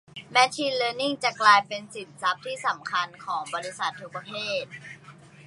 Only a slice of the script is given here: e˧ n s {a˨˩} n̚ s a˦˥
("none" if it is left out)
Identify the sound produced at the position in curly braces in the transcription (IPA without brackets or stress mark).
i˨˩